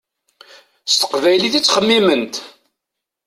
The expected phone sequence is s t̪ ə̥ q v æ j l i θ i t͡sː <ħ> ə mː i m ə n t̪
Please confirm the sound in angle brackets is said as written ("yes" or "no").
no